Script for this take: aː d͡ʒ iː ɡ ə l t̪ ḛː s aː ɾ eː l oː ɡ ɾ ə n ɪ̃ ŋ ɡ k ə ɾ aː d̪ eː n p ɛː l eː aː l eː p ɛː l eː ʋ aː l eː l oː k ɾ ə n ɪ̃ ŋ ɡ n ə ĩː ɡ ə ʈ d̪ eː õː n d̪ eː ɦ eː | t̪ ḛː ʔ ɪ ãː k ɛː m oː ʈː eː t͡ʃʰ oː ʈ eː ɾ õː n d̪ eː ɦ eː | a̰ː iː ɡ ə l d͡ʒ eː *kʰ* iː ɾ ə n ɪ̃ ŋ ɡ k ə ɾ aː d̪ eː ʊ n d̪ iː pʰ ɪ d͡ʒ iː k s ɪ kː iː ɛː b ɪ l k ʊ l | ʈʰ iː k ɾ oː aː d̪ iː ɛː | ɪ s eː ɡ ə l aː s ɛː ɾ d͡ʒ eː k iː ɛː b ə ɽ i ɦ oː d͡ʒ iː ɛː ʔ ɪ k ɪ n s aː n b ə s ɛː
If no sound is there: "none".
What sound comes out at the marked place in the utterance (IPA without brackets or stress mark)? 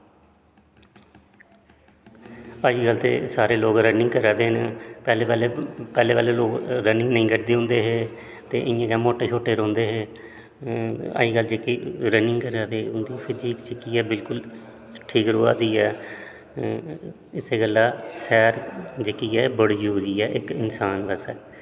k